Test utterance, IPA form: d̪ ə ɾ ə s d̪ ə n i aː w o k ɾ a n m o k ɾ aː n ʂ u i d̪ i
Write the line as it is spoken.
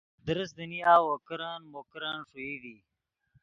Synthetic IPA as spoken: d̪ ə ɾ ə s d̪ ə n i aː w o k ɾ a n m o k ɾ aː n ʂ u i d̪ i